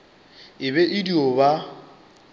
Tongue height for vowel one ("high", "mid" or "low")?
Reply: high